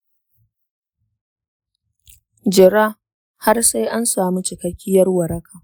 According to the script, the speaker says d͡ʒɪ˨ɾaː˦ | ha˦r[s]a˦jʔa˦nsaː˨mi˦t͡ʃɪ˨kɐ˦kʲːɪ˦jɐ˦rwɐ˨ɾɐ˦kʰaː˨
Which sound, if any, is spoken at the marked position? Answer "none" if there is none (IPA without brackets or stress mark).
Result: s